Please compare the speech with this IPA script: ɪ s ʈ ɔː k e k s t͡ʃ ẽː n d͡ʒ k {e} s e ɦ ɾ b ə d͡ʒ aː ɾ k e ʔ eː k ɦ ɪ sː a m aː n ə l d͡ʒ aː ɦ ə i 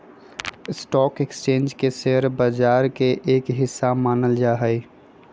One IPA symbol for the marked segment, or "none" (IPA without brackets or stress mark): e